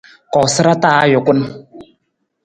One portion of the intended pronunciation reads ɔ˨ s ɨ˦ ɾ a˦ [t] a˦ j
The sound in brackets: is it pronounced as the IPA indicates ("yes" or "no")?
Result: yes